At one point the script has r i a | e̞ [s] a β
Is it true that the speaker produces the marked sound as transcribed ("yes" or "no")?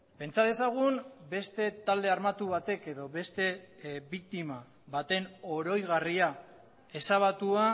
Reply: yes